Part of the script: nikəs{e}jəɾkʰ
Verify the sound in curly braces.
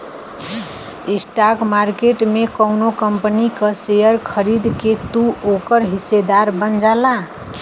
correct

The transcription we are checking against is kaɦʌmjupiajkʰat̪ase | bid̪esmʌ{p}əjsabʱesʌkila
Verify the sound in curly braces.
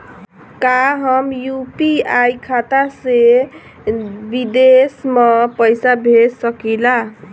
correct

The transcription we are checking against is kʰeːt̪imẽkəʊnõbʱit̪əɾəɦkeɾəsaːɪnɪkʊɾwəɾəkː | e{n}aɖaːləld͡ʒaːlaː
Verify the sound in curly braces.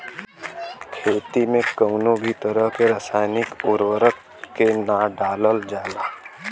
correct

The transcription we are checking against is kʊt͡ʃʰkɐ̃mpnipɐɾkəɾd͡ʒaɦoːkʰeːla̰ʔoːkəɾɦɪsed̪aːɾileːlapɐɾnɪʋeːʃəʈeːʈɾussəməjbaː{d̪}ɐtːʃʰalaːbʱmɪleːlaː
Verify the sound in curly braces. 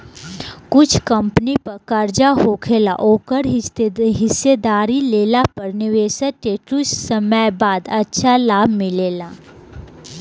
correct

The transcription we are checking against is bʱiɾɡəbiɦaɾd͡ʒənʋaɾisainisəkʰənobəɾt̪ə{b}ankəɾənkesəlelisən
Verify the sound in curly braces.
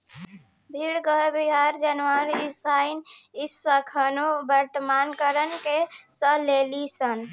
incorrect: m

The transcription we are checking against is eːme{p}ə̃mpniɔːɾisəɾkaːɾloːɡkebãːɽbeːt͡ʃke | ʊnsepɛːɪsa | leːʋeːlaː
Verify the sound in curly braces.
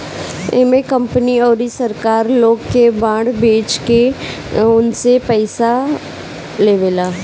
incorrect: k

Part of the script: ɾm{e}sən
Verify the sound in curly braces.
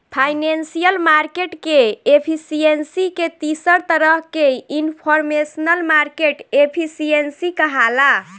correct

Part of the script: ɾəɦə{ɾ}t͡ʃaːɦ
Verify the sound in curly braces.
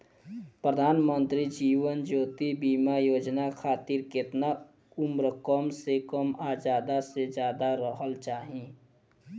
incorrect: l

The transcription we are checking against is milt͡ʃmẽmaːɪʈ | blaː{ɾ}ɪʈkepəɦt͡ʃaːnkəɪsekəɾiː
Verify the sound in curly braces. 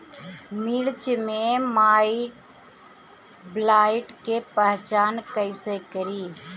incorrect: none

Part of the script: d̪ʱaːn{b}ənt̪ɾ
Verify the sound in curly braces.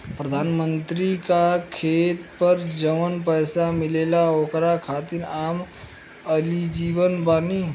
incorrect: m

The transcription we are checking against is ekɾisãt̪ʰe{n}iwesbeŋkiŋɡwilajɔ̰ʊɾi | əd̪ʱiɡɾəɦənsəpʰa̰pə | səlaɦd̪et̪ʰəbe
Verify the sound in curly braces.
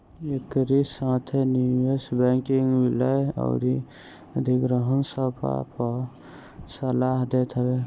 correct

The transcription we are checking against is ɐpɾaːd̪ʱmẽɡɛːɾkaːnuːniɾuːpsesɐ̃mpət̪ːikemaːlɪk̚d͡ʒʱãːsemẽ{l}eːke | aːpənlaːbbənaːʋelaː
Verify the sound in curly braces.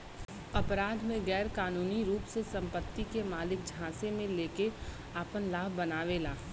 correct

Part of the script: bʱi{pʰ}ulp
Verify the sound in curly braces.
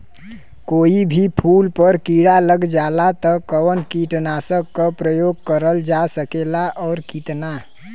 correct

